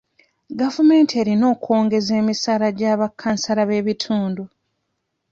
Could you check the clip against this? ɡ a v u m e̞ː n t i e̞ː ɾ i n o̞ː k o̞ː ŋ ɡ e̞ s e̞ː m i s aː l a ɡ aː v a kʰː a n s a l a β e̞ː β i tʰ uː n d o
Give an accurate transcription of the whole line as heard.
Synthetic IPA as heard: ɡ a v u m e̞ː n t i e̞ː ɾ i n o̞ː k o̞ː ŋ ɡ e̞ z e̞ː m i s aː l a ɟ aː β a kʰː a n s a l a β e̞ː β i tʰ uː n d u